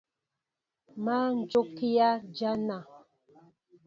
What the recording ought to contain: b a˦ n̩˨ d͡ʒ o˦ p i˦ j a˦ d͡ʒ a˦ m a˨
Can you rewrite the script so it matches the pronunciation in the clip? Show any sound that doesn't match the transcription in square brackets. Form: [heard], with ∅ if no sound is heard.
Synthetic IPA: [m] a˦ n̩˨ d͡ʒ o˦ [k] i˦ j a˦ d͡ʒ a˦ [n] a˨